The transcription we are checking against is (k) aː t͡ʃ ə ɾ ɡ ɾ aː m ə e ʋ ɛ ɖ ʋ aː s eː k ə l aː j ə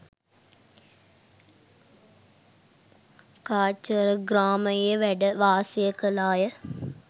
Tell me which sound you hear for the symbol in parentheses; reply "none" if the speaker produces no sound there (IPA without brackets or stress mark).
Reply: k